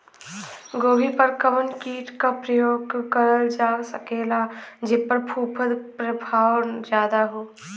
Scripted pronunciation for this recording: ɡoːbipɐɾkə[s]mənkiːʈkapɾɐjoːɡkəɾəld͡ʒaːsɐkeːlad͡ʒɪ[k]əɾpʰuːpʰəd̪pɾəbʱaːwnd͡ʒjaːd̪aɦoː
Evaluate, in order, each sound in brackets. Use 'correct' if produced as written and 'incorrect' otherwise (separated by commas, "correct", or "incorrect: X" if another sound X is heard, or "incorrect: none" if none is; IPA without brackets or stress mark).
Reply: incorrect: none, incorrect: p